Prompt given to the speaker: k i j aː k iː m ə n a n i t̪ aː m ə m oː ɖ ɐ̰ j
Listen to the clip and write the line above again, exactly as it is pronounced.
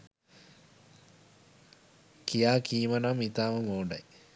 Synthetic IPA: k i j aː k iː m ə n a m i t̪ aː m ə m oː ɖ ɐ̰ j

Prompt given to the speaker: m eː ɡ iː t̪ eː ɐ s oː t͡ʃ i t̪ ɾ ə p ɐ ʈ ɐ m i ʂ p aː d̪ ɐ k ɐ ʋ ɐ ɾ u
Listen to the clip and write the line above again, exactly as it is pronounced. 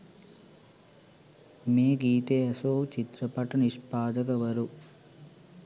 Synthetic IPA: m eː ɡ iː t̪ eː ɐ s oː t͡ʃ i t̪ ɾ ɐ p ɐ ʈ ɐ n i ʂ p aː d̪ ɐ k ɐ ʋ ɐ ɾ u

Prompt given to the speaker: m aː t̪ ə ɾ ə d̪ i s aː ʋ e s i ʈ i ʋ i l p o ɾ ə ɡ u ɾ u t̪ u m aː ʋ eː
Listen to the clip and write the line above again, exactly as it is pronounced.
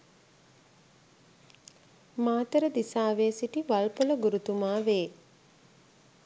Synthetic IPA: m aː t̪ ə ɾ ə d̪ i s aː ʋ e s i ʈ i ʋ a l p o l ə ɡ u ɾ u t̪ u m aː ʋ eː

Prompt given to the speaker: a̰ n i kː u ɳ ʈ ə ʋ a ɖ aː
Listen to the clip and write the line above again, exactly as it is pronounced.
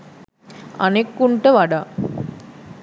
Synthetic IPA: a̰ n e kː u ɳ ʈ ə ʋ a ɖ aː

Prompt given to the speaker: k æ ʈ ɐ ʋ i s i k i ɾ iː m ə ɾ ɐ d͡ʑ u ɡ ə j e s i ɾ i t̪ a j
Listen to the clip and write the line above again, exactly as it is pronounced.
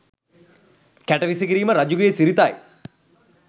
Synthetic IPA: k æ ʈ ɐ ʋ i s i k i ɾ iː m ə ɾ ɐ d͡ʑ u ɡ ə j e s i ɾ i t̪ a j

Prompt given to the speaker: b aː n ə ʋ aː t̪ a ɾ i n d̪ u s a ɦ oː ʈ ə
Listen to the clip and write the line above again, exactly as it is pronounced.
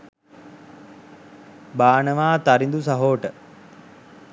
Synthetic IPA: b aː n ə ʋ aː t̪ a ɾ i n d̪ u s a ɦ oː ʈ ə

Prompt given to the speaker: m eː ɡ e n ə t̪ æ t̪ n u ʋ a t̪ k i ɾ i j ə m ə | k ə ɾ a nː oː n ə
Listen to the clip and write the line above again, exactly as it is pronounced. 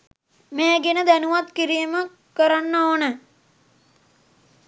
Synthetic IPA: m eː ɡ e n ə d̪ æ n u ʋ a t̪ k i ɾ i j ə m ə | k ə ɾ a nː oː n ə

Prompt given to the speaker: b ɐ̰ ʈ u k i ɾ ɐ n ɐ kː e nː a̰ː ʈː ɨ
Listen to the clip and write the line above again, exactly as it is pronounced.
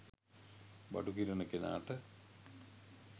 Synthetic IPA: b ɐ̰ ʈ u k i ɾ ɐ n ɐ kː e n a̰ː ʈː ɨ

